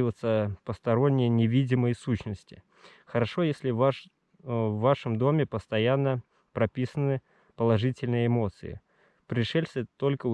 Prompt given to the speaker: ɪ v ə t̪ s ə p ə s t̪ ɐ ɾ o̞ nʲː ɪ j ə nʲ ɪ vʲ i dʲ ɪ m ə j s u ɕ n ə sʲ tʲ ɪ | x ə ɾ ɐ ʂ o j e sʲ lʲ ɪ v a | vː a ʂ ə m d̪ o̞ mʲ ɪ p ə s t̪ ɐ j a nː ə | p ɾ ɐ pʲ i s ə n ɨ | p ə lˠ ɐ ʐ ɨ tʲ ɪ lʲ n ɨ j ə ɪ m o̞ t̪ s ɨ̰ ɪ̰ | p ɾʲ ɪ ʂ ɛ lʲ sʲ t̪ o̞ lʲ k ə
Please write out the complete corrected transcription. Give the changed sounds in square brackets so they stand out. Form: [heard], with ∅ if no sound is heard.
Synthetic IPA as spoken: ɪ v ə t̪ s ə p ə s t̪ ɐ ɾ o̞ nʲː ɪ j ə nʲ ɪ vʲ i dʲ ɪ m ə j s u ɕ n ə sʲ tʲ ɪ | x ə ɾ ɐ ʂ o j e sʲ lʲ ɪ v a | vː a ʂ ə m d̪ o̞ mʲ ɪ p ə s t̪ ɐ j a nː ə | p ɾ ɐ pʲ i s ə n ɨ | p ə lˠ ɐ ʐ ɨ tʲ ɪ lʲ n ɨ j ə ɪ m o̞ t̪ s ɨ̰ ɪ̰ | p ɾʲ ɪ ʂ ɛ lʲ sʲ t̪ o̞ lʲ k ə

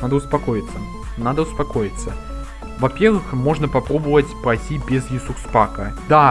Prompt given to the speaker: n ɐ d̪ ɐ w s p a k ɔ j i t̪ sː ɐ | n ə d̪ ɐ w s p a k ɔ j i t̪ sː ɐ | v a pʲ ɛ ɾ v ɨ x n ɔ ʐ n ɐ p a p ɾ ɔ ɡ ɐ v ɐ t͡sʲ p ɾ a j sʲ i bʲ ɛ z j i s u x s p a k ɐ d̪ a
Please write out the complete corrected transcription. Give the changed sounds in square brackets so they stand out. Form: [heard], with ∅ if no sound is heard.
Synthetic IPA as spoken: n [a] d̪ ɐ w s p a k ɔ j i t̪ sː ɐ | n [a] d̪ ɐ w s p a k ɔ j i t̪ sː ɐ | v a pʲ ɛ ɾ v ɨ x [m] ɔ ʐ n ɐ p a p ɾ ɔ [b] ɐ v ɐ t͡sʲ p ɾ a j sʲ i bʲ ɛ z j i s u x s p a k ɐ d̪ a

